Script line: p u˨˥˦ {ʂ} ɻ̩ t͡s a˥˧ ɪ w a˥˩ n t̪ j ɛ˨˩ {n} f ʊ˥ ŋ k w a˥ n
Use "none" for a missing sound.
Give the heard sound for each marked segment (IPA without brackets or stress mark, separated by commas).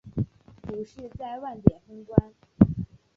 ʂ, n